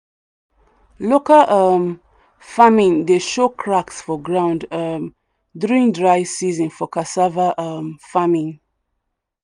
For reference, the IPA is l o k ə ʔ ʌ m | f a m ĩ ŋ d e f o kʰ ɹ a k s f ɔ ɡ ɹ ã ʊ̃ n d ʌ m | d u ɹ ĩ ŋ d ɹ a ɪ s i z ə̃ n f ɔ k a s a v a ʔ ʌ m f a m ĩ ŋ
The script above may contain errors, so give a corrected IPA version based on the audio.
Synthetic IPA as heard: l o k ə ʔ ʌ m | f a m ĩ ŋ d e ʃ o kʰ ɹ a k s f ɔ ɡ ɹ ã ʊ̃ n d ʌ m | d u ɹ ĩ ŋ d ɹ a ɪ s i z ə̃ n f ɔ k a s a v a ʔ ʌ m f a m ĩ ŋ

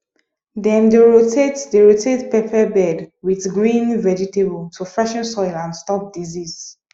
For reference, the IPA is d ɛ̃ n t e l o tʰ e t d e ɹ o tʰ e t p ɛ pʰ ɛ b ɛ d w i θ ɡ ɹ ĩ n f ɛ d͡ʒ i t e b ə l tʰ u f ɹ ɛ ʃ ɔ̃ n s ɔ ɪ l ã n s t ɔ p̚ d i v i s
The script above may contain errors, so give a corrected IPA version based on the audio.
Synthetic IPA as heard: d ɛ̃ n d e ɹ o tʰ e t d e ɹ o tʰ e t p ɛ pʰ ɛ b ɛ d w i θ ɡ ɹ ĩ n v ɛ d͡ʒ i t e b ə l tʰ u f ɹ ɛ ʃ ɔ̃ n s ɔ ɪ l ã n s t ɔ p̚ d i z i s

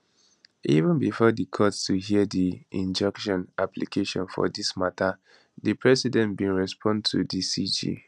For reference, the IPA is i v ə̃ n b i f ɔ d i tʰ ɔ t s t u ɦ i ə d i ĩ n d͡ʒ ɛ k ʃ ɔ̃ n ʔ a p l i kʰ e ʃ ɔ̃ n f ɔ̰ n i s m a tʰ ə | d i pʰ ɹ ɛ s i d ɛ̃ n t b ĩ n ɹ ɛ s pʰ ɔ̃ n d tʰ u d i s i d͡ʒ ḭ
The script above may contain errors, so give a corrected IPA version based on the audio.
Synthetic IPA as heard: i v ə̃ n b i f ɔ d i kʰ ɔ t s t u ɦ i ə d i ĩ n d͡ʒ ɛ k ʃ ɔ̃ n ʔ a p l i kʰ e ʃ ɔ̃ n f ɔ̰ d i s m a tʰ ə | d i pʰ ɹ ɛ s i d ɛ̃ n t b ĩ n ɹ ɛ s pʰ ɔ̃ n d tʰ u d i s i d͡ʒ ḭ

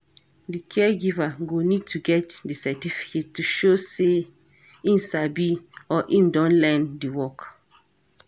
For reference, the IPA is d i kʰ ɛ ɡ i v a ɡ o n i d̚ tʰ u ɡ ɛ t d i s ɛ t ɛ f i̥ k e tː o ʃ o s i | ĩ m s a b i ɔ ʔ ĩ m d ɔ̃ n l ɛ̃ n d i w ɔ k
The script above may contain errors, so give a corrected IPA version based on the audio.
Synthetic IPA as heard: d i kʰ ɛ ɡ i v a ɡ o n i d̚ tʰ u ɡ ɛ t d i s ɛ t i f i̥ k e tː u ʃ o s e | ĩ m s a b i ɔ ʔ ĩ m d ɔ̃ n l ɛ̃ n d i w ɔ k

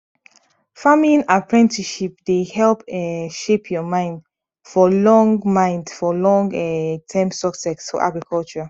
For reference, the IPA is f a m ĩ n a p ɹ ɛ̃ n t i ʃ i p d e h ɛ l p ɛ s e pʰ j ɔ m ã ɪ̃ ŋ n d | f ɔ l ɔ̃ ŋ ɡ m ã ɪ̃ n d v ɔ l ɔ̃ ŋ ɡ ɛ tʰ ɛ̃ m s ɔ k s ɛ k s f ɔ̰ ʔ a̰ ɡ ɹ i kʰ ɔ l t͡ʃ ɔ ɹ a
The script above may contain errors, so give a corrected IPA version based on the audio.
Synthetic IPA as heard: f a m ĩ n a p ɹ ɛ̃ n t i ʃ i p d e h ɛ l p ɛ ʃ e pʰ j ɔ m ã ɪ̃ n d | f ɔ l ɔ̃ ŋ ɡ m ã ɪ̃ n d f ɔ l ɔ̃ ŋ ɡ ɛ tʰ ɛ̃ m s ɔ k s ɛ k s f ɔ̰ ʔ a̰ ɡ ɹ i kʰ ɔ l t͡ʃ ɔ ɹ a

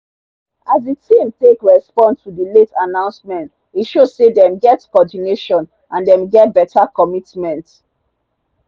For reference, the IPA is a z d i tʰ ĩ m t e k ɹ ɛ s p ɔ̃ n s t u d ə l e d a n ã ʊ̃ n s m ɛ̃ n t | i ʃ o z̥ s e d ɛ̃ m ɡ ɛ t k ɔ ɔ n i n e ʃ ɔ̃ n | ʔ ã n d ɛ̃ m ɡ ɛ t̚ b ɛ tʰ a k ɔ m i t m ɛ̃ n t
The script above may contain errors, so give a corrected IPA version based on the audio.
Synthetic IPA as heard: a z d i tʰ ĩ m t e k ɹ ɛ s p ɔ̃ n s t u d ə l e t a n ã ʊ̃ n s m ɛ̃ n t | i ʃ o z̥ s e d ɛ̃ m ɡ ɛ t k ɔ ɔ d i n e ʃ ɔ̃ n | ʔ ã n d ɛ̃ m ɡ ɛ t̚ b ɛ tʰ a k ɔ m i t m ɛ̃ n t

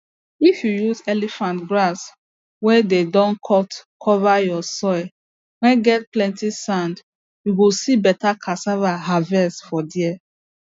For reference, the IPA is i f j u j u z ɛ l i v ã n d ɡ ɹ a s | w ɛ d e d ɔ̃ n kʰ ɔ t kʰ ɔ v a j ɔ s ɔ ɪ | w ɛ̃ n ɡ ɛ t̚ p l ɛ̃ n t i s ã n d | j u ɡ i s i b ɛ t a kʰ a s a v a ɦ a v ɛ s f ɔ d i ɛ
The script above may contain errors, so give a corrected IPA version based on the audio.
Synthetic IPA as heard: i f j u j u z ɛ l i f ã n t ɡ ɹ a s | w ɛ d e d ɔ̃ n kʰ ɔ t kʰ ɔ v a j ɔ s ɔ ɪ | w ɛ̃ n ɡ ɛ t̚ p l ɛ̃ n t i s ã n d | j u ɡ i s i b ɛ t a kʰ a s a v a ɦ a v ɛ s f ɔ d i ɛ

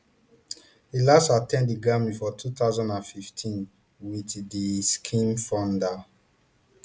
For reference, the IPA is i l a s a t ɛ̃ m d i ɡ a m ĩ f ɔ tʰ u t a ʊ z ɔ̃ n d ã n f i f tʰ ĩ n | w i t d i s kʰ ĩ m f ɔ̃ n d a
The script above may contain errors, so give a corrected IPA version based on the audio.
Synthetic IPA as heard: i l a s a t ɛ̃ n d i ɡ a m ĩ f ɔ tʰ u t a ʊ z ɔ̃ n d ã n f i f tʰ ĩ n | w i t d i s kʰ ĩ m f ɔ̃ n d a

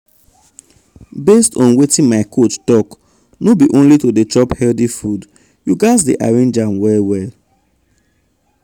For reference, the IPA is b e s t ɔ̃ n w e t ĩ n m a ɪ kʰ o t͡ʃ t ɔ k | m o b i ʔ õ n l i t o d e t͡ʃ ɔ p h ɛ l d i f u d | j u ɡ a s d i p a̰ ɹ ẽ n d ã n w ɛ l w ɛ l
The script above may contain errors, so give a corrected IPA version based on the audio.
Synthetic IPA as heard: b e s t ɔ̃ n w e t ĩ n m a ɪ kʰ o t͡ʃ t ɔ k | n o b i ʔ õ n l i t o d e t͡ʃ ɔ p h ɛ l d i f u d | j u ɡ a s d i ʔ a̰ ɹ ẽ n d͡ʒ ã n w ɛ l w ɛ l

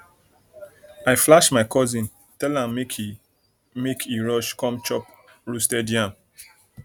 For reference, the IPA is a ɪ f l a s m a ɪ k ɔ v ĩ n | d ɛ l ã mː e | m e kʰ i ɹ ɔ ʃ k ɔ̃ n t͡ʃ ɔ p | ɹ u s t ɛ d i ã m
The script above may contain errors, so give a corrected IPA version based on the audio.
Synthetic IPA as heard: a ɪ f l a ʃ m a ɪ k ɔ z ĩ n | t ɛ l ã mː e | m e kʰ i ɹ ɔ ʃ k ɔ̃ m t͡ʃ ɔ p | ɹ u s t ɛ d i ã m

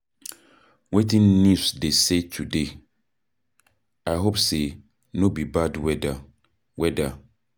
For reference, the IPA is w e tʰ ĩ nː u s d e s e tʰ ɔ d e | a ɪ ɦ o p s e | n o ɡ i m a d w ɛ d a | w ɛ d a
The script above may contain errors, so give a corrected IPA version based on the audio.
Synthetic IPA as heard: w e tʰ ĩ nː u s d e s e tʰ u d e | a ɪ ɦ o p s e | n o b i b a d w ɛ d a | w ɛ d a

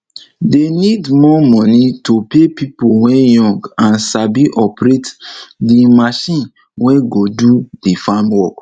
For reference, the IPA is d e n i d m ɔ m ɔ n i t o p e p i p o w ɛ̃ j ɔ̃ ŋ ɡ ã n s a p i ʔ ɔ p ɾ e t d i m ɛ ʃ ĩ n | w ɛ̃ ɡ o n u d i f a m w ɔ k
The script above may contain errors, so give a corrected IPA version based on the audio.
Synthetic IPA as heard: d e n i d m ɔ m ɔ n i t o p e p i p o w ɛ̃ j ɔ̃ ŋ ɡ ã n s a b i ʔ ɔ p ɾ e t d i m a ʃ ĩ n | w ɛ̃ ɡ o d u d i f a m w ɔ k

